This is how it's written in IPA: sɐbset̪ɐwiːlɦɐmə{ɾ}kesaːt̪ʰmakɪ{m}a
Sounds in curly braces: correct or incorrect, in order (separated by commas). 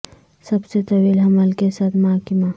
incorrect, correct